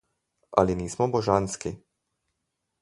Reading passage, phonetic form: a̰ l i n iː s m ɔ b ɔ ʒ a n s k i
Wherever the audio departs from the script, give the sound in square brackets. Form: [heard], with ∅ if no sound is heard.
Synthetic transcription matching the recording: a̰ l i n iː s m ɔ b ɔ ʒ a n s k i